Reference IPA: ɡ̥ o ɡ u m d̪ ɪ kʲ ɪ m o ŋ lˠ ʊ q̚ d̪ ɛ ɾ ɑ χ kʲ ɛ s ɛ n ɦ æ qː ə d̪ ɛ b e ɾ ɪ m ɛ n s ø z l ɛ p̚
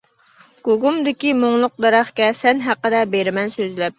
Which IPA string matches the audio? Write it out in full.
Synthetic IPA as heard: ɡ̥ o ɡ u m d̪ ɪ kʲ i m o ŋ lˠ ʊ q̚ d̪ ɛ ɾ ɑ χ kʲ ɛ s ɛ n ɦ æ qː ə d̪ ɛ b e ɾ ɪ m ɛ n s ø z l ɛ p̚